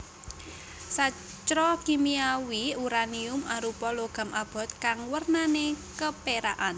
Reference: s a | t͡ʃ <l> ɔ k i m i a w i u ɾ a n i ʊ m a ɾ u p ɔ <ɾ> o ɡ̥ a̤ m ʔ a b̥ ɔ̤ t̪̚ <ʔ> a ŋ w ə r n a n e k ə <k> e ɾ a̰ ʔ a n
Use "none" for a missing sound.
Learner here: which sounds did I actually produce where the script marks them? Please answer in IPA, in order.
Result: ɾ, l, k, p

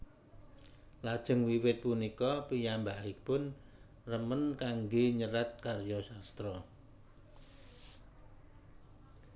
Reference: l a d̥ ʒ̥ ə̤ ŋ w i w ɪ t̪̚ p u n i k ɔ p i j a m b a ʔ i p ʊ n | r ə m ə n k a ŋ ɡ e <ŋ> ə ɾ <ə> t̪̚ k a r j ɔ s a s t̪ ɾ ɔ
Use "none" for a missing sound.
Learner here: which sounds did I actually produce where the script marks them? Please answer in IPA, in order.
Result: ɲ, a

